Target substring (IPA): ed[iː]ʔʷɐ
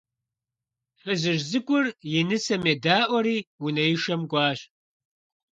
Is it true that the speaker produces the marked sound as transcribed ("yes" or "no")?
no